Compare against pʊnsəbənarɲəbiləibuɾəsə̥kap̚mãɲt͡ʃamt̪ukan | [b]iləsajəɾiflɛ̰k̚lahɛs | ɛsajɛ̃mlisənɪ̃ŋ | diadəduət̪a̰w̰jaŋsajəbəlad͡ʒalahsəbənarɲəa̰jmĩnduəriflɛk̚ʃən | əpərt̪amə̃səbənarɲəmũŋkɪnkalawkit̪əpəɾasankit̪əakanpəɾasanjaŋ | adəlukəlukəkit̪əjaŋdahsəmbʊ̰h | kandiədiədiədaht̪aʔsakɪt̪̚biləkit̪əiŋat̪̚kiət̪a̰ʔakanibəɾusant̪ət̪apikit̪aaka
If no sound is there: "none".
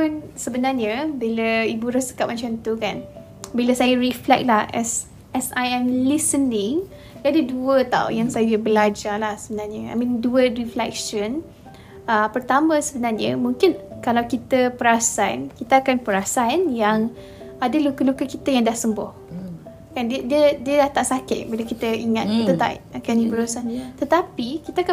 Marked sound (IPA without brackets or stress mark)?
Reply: b